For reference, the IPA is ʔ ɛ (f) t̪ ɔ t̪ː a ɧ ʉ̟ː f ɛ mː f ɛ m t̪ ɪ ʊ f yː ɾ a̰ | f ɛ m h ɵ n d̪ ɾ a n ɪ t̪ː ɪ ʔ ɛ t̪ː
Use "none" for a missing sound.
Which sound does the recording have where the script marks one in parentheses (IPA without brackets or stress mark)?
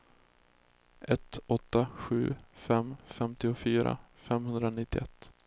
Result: none